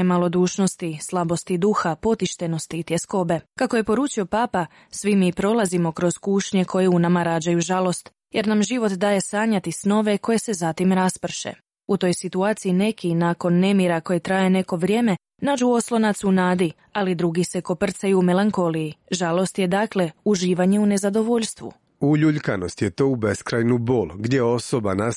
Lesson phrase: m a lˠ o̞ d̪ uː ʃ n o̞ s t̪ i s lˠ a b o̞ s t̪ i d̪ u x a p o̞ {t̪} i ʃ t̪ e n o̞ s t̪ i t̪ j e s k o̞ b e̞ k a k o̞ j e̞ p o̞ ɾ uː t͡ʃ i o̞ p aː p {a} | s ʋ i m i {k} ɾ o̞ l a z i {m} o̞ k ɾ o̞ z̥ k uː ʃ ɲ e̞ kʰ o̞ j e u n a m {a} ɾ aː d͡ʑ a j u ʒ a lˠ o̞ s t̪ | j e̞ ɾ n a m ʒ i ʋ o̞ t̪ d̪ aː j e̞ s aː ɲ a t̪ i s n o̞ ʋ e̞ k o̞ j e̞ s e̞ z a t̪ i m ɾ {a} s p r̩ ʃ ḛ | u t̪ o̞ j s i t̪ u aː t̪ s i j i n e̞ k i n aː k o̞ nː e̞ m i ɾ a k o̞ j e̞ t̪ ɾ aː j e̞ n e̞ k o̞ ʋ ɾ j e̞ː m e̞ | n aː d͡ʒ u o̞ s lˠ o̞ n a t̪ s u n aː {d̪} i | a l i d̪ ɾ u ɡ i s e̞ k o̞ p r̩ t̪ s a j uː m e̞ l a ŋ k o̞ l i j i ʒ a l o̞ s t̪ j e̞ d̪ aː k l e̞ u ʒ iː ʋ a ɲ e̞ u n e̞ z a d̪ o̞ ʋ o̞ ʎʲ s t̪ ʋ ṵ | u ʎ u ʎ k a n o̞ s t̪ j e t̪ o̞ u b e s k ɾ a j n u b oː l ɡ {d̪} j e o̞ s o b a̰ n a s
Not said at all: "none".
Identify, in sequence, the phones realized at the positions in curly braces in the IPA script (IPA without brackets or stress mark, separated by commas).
t̪, a, p, m, a, a, d̪, d̪